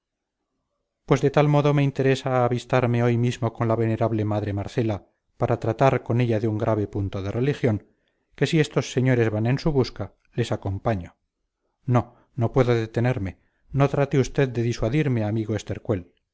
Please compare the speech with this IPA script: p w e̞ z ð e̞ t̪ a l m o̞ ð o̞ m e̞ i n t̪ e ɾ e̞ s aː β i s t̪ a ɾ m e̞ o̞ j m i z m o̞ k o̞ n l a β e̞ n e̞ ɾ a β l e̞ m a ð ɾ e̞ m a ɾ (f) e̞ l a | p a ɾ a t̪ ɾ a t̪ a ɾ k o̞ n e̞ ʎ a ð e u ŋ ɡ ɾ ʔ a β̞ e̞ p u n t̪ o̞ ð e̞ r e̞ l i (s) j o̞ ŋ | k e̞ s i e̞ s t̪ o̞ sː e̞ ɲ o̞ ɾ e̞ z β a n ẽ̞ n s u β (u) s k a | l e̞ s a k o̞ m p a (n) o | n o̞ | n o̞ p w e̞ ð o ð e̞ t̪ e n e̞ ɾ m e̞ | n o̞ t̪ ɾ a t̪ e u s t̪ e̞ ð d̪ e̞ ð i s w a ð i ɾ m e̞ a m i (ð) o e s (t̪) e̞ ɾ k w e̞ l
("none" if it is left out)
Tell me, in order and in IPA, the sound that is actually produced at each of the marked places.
θ, x, u, ɲ, ɣ, t̪

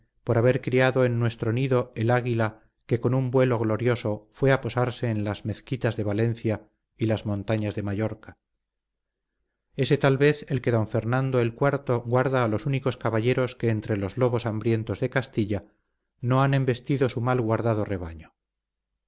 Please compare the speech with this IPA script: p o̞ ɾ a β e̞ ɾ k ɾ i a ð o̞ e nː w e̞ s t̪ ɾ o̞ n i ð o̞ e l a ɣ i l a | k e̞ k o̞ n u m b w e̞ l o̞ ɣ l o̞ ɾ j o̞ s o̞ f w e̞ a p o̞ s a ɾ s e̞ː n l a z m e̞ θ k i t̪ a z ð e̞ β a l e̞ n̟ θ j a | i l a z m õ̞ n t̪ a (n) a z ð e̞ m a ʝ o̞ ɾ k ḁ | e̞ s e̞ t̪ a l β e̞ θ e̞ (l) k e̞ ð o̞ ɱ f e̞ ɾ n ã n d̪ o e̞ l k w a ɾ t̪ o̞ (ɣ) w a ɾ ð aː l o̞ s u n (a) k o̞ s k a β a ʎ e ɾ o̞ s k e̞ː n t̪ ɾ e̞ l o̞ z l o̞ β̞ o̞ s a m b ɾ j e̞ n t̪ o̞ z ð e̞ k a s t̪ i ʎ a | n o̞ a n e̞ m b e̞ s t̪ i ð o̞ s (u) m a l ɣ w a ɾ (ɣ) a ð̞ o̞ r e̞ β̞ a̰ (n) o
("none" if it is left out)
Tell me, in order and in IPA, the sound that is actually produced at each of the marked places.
ɲ, l, ɣ, i, u, ð, ɲ

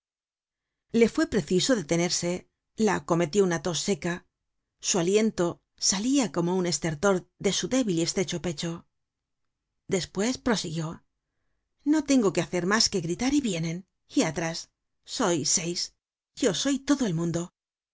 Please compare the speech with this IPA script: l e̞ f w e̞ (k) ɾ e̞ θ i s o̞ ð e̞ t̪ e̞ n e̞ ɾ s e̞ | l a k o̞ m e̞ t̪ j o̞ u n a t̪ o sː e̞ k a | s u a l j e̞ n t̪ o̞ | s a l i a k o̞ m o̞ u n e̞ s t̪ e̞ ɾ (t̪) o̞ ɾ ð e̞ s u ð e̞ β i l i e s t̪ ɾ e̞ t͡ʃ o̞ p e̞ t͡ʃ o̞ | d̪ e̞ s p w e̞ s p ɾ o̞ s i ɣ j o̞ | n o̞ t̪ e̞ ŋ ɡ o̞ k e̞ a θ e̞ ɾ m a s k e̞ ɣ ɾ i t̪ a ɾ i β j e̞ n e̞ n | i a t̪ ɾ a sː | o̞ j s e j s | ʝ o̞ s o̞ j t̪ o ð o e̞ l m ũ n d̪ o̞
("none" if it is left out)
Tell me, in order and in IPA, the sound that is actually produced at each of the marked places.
p, t̪

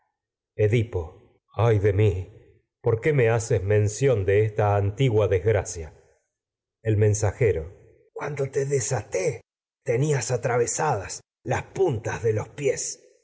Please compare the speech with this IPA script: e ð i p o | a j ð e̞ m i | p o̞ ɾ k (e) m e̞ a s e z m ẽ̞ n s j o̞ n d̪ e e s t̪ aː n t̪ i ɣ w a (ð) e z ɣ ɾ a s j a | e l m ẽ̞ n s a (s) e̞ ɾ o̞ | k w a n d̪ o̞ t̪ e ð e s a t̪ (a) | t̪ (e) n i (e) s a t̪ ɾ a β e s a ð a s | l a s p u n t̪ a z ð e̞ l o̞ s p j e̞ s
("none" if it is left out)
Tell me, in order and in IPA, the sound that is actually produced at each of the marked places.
e, ð, x, e, e, a

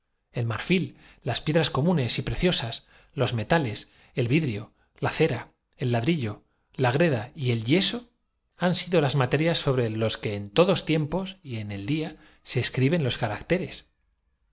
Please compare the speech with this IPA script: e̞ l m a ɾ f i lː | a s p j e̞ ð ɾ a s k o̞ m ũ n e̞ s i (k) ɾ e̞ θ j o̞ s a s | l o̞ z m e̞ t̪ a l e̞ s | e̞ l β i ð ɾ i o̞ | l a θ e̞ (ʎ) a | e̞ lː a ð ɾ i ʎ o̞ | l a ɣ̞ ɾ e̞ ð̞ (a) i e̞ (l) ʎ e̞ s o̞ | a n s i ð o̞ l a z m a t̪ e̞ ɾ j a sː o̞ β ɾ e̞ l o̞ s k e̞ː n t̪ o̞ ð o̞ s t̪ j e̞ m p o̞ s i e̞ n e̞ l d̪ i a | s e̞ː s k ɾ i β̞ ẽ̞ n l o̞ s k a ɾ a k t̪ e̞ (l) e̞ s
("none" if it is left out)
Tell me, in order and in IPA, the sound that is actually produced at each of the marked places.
p, ɾ, a, l, ɾ

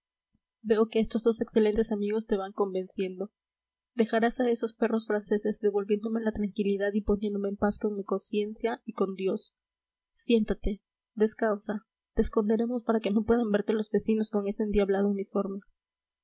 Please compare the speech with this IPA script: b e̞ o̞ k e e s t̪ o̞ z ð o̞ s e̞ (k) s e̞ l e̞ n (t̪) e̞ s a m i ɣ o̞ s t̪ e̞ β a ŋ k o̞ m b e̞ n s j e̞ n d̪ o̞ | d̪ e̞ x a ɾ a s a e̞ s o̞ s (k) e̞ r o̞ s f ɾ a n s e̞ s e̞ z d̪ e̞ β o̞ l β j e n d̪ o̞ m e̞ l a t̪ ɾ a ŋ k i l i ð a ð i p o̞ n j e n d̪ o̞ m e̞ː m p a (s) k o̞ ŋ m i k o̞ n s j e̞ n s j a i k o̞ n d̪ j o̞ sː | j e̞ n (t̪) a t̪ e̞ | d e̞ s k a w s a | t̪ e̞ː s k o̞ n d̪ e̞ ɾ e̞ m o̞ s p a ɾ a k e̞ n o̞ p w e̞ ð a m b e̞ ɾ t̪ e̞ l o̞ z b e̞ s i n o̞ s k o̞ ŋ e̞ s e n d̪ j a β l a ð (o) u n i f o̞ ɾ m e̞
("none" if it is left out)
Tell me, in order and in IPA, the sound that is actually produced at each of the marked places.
k, t̪, p, s, t̪, o

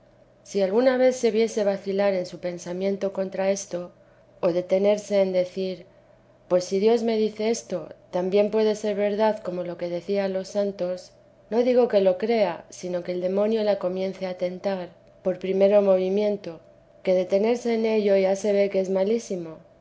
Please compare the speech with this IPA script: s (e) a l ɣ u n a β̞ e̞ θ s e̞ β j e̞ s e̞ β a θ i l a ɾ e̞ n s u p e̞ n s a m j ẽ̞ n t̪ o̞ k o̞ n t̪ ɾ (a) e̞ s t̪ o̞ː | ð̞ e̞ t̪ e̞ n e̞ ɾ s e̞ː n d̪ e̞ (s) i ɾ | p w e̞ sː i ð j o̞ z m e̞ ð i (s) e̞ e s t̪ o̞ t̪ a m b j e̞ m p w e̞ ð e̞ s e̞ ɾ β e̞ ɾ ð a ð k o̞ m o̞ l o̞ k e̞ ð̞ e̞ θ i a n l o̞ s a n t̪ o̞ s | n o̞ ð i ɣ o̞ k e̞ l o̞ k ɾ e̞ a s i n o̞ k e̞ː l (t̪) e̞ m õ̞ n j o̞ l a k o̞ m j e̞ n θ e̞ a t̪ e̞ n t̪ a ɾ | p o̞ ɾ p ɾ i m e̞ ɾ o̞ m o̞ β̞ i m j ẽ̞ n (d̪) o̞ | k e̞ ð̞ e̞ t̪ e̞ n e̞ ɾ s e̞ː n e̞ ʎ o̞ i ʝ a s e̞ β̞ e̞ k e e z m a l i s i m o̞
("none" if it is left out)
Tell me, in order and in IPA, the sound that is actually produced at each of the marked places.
i, a, θ, θ, d̪, t̪

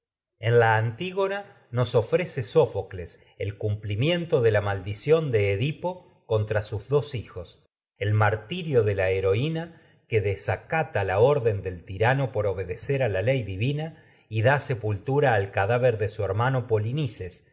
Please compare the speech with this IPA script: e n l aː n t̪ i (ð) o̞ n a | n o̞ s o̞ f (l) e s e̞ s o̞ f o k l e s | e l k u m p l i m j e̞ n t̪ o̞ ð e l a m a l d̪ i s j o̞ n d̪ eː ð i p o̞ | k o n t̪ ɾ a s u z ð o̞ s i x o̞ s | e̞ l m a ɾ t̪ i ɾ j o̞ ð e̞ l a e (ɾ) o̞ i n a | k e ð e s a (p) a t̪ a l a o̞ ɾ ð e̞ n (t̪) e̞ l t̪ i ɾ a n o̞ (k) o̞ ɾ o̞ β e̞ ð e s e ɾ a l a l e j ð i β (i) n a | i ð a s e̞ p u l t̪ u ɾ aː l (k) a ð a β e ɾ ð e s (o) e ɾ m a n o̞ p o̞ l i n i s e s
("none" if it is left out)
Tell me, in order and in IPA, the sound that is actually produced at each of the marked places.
ɣ, ɾ, ɾ, k, d̪, p, i, k, u

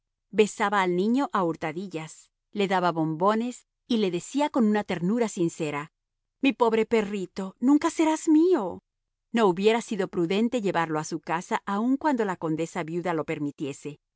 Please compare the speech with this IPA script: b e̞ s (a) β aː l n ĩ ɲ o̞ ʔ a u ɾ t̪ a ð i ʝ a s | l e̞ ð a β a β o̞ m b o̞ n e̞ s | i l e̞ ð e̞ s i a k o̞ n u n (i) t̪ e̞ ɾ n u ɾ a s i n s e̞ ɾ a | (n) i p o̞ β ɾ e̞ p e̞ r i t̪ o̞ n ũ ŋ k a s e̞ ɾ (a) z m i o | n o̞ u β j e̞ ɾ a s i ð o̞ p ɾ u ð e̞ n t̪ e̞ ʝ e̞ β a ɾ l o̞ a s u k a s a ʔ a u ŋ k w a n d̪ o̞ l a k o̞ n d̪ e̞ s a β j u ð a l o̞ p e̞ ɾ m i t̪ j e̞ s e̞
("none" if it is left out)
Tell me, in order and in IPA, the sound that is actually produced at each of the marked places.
a, a, m, a

